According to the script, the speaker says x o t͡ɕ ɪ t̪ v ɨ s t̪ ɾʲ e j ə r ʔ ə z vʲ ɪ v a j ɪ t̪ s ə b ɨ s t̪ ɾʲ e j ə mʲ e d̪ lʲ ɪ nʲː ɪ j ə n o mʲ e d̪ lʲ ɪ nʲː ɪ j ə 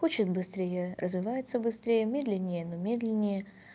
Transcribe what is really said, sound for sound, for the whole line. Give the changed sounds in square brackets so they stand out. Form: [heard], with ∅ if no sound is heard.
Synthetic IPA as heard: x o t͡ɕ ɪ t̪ [b] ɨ s t̪ ɾʲ e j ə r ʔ ə z vʲ ɪ v a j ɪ t̪ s ə b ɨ s t̪ ɾʲ e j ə mʲ e d̪ lʲ ɪ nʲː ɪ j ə n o mʲ e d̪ lʲ ɪ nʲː ɪ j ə